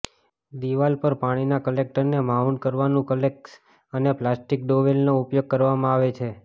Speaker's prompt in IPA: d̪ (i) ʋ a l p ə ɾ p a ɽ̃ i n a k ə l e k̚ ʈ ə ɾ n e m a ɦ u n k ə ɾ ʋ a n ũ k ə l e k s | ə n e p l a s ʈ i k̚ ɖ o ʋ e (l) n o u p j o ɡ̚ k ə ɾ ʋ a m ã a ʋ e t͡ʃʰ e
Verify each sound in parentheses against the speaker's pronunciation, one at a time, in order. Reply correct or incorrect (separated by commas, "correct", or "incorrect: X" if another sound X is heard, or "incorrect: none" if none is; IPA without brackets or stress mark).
correct, correct